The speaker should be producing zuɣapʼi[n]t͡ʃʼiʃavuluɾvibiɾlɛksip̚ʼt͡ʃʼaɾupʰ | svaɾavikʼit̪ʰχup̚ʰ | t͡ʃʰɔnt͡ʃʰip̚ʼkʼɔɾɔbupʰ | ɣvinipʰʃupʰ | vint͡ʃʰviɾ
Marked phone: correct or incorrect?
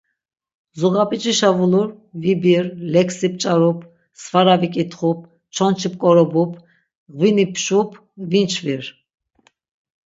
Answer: incorrect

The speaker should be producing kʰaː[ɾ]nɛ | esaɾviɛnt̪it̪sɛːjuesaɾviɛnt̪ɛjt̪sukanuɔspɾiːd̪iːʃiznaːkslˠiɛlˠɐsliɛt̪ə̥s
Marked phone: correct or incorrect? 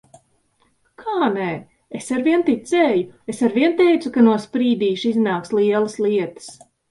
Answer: incorrect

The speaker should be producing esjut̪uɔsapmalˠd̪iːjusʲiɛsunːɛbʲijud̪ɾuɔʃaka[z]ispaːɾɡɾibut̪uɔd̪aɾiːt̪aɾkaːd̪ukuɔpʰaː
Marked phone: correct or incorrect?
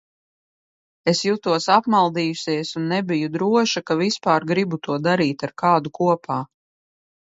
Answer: incorrect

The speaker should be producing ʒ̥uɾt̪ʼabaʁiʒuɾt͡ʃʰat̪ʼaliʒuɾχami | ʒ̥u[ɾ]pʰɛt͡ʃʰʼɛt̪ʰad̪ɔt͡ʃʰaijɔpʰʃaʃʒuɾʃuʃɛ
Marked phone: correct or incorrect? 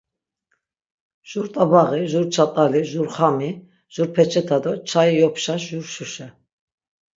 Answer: correct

